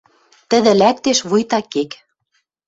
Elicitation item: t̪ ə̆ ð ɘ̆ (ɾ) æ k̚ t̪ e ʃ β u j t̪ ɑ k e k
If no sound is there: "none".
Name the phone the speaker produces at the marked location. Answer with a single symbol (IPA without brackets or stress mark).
l